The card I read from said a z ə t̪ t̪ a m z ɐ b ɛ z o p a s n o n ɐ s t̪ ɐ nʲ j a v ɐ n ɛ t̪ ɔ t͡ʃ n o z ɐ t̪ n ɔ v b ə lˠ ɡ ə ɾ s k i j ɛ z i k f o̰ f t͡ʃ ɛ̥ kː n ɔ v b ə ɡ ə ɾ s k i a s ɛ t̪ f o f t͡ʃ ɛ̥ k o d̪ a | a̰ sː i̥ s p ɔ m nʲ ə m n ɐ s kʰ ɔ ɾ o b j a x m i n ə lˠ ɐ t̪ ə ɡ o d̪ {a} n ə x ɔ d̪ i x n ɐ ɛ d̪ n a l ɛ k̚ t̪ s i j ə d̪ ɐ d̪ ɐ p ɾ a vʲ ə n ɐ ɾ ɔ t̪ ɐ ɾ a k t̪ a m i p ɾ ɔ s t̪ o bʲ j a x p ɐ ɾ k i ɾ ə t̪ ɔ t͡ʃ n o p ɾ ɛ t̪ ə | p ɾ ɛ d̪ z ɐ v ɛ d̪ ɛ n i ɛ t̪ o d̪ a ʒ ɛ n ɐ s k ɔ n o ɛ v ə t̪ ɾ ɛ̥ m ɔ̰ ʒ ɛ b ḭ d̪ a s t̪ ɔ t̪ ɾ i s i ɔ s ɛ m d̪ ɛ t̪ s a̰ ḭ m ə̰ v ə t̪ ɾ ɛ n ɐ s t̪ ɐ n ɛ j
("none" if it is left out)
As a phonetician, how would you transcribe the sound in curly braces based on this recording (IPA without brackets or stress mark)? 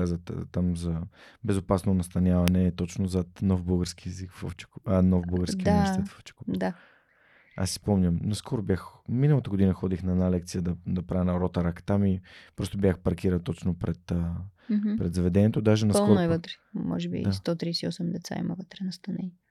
i